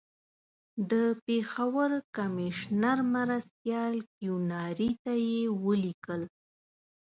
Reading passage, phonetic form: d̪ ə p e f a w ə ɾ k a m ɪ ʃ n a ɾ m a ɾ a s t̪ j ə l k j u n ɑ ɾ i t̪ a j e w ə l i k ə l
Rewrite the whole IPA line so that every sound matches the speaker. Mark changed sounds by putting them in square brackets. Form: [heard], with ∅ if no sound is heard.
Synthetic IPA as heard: d̪ ə p e [x] a w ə ɾ k a m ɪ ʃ n a ɾ m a ɾ a s t̪ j [ɑ] l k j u n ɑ ɾ i t̪ a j e w ə l i k ə l